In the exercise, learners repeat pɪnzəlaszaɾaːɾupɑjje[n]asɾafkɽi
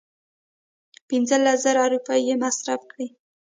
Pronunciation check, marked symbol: incorrect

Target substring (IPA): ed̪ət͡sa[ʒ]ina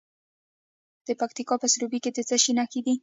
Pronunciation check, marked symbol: incorrect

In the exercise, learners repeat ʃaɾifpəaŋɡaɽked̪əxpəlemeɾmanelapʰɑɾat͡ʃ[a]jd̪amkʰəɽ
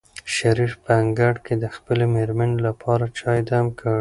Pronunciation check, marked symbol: incorrect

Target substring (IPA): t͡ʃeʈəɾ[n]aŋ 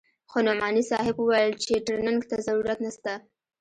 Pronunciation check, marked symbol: correct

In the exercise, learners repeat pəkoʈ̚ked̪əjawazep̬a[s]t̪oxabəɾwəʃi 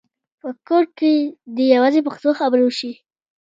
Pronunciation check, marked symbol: incorrect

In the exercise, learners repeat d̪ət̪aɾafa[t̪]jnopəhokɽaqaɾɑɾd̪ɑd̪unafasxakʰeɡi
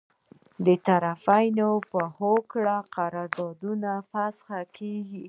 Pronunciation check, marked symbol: incorrect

